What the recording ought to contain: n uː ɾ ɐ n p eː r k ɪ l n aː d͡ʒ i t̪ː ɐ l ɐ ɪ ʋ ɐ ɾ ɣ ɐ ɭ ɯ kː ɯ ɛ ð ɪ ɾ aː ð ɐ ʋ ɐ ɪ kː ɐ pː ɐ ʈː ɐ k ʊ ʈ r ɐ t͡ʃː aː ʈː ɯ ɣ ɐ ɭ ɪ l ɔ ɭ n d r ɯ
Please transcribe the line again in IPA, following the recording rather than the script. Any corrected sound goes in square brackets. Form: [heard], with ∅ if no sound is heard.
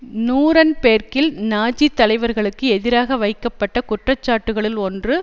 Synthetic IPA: n uː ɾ ɐ n p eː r k ɪ l n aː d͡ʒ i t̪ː ɐ l ɐ ɪ ʋ ɐ ɾ ɣ ɐ ɭ ɯ kː ɯ ɛ ð ɪ ɾ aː [ɣ] ɐ ʋ ɐ ɪ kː ɐ pː ɐ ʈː ɐ k ʊ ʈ r ɐ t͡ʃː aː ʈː ɯ ɣ ɐ ɭ ɪ l ɔ [∅] n d r ɯ

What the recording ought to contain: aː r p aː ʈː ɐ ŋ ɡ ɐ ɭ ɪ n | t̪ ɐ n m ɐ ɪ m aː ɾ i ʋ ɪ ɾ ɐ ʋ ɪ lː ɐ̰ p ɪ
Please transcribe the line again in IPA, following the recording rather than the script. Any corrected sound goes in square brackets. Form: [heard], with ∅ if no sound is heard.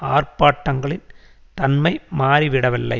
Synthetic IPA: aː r p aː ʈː ɐ ŋ ɡ ɐ ɭ ɪ n | t̪ ɐ n m ɐ ɪ m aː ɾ i ʋ ɪ [ɽ] ɐ ʋ ɪ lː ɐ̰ [∅] ɪ

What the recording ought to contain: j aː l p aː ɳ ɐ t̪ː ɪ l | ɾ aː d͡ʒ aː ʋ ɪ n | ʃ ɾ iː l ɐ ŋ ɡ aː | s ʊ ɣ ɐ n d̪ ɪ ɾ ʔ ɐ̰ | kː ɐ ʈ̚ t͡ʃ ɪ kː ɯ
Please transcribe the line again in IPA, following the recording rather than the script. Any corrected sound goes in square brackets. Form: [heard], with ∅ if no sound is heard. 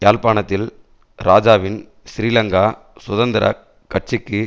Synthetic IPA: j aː l p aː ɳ ɐ t̪ː ɪ l | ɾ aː d͡ʒ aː ʋ ɪ n | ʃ ɾ iː l ɐ ŋ ɡ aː | s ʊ [ð] ɐ n d̪ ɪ ɾ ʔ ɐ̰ | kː ɐ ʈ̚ t͡ʃ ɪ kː ɯ

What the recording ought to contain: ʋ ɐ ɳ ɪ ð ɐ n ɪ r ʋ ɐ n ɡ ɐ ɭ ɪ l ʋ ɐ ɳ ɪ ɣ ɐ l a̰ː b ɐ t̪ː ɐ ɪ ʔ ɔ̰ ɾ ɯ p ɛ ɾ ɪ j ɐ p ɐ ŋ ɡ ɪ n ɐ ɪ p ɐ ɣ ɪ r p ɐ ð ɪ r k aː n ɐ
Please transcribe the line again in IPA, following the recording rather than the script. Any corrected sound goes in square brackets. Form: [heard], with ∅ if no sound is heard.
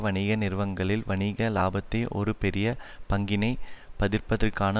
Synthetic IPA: ʋ ɐ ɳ ɪ [ɣ] ɐ n ɪ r ʋ ɐ [ŋ] ɡ ɐ ɭ ɪ l ʋ ɐ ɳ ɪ ɣ ɐ l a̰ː b ɐ t̪ː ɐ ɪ ʔ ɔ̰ ɾ ɯ p ɛ ɾ ɪ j ɐ p ɐ ŋ ɡ ɪ n ɐ ɪ p ɐ [ð] ɪ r p ɐ ð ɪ r k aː n ɐ

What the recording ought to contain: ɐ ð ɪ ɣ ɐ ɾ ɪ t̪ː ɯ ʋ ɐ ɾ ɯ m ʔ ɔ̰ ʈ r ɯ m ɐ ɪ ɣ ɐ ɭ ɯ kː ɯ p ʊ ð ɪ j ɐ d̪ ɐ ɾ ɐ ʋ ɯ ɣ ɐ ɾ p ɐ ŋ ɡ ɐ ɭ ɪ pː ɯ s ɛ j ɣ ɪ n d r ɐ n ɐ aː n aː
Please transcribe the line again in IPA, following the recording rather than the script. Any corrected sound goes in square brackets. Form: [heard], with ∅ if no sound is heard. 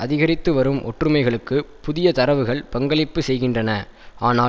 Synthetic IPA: ɐ ð ɪ ɣ ɐ ɾ ɪ t̪ː ɯ ʋ ɐ ɾ ɯ m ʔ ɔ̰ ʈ r ɯ m ɐ ɪ ɣ ɐ ɭ ɯ kː ɯ p ʊ ð ɪ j ɐ [t̪] ɐ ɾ ɐ ʋ ɯ ɣ ɐ [ɭ] p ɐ ŋ ɡ ɐ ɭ ɪ pː ɯ s ɛ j ɣ ɪ n d r ɐ n ɐ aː n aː

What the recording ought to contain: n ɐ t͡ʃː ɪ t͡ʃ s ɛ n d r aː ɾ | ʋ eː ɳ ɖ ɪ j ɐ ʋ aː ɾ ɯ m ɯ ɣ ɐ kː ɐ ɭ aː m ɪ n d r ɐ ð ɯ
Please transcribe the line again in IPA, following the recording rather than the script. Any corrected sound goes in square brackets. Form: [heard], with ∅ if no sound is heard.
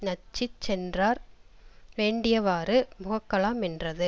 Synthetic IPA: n ɐ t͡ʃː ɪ t͡ʃ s ɛ n d r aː ɾ | ʋ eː ɳ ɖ ɪ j ɐ ʋ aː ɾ ɯ m [ʊ] ɣ ɐ kː ɐ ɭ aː m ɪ n d r ɐ ð ɯ

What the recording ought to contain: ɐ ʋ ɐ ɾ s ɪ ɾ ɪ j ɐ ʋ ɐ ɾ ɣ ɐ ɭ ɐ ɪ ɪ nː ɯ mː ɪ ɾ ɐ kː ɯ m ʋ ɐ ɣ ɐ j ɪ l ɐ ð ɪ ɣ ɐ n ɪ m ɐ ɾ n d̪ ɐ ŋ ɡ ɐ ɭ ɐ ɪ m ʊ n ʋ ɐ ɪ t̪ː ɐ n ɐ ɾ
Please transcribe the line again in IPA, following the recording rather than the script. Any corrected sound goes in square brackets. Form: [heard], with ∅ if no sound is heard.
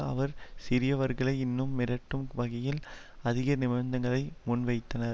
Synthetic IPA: ɐ ʋ ɐ ɾ s ɪ ɾ ɪ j ɐ ʋ ɐ ɾ ɣ ɐ ɭ ɐ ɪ ɪ nː ɯ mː ɪ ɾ ɐ [ʈː] ɯ m ʋ ɐ ɣ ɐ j ɪ l ɐ ð ɪ ɣ ɐ n ɪ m ɐ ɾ n d̪ ɐ ŋ ɡ ɐ ɭ ɐ ɪ m ʊ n ʋ ɐ ɪ t̪ː ɐ n ɐ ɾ

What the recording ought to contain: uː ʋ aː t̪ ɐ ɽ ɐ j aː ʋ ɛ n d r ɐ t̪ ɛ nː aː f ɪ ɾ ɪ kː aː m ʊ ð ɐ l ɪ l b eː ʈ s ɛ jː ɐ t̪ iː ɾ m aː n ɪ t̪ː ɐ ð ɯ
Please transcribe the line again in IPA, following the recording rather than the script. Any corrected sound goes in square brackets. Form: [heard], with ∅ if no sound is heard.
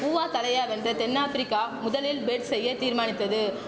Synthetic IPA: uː ʋ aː t̪ ɐ [l] ɐ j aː ʋ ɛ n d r ɐ t̪ ɛ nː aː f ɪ ɾ ɪ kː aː m ʊ ð ɐ l ɪ l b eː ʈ s ɛ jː ɐ t̪ iː ɾ m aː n ɪ t̪ː ɐ ð ɯ

